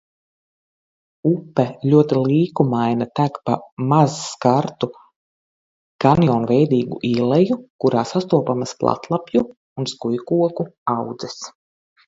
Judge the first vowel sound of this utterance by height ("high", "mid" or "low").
high